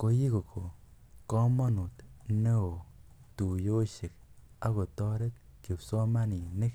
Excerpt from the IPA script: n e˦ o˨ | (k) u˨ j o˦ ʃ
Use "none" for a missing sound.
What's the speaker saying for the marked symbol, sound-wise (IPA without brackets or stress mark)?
t